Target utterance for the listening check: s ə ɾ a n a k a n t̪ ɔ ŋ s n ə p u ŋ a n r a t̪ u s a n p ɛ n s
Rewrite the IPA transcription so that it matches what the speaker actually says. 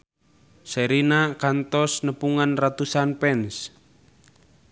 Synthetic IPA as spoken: s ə ɾ i n a k a n t̪ ɔ s n ə p u ŋ a n r a t̪ u s a n p ɛ n s